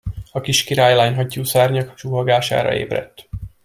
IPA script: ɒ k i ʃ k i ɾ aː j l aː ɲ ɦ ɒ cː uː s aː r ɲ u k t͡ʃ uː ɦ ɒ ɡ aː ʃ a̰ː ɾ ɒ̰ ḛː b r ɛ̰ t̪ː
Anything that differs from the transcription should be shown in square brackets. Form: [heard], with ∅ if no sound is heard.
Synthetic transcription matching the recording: ɒ k i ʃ k i ɾ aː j l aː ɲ ɦ ɒ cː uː s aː r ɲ [ɒ] k t͡ʃ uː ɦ ɒ ɡ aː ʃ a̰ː ɾ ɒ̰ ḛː b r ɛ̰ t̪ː